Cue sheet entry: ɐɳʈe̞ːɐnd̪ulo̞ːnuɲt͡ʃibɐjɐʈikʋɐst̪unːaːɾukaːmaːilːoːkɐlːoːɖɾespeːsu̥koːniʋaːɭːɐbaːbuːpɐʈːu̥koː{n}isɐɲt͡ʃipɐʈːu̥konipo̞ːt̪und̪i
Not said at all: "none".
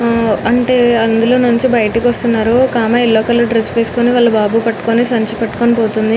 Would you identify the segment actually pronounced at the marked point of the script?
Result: n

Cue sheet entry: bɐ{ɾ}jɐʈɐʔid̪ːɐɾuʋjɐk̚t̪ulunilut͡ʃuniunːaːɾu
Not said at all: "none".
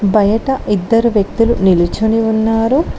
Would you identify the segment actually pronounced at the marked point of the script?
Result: none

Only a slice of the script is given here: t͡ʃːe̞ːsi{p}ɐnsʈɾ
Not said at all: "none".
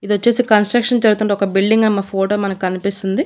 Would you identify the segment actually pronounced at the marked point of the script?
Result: k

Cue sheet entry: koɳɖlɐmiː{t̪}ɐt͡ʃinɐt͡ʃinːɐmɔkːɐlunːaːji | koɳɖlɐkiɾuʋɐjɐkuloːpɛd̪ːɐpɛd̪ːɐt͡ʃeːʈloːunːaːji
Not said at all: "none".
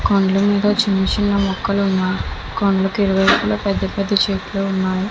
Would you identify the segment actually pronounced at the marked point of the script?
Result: d̪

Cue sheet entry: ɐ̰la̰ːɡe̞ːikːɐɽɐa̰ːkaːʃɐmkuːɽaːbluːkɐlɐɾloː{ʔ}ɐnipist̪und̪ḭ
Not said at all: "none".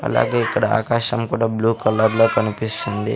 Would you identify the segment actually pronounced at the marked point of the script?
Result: k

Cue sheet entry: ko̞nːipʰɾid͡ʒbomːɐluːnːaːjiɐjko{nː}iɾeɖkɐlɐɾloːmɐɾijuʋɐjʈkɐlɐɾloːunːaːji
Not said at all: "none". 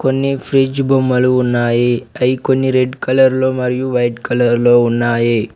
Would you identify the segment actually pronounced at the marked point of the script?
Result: nː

